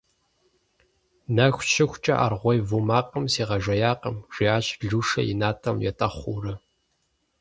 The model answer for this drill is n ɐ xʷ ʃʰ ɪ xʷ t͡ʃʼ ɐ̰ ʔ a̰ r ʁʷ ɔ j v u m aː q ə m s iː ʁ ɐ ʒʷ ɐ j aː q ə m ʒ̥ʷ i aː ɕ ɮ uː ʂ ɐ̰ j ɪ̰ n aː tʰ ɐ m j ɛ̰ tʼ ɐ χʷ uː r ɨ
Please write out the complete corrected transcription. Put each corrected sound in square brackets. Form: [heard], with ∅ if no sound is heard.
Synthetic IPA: n ɐ xʷ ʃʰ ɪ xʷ t͡ʃʼ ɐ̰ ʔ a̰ r ʁʷ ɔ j v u m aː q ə m s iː ʁ ɐ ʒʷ ɐ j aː q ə m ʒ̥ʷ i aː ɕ ɮ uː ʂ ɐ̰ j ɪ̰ n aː tʰ ɐ m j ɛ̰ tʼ ɐ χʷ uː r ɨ